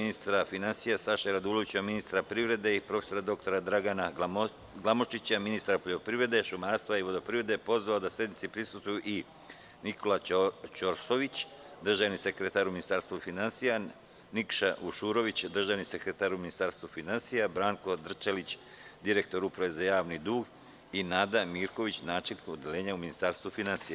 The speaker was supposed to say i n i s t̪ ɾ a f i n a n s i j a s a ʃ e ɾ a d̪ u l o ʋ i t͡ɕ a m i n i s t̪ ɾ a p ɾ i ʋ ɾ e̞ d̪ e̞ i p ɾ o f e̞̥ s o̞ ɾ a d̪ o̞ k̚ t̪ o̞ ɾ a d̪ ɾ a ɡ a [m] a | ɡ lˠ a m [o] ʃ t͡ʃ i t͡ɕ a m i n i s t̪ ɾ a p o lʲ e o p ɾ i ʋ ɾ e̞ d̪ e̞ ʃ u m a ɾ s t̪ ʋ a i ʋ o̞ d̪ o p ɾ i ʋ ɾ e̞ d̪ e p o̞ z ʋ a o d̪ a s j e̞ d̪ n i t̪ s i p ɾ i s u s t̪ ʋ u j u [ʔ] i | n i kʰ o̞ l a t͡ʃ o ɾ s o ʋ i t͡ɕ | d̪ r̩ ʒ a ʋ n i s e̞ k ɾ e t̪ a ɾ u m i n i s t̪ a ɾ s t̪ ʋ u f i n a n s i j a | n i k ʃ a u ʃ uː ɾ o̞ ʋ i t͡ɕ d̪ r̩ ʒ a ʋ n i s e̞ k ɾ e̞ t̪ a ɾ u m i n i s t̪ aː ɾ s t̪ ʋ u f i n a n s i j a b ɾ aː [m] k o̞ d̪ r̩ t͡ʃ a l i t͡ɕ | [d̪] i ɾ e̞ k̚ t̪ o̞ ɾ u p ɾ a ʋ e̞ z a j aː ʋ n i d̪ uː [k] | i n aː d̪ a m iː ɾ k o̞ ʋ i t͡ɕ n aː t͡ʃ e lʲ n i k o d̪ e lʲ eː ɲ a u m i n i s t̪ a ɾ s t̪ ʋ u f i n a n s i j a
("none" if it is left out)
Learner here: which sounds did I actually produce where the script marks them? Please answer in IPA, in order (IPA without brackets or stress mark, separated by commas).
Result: n, o, ʔ, ŋ, d̪, ɡ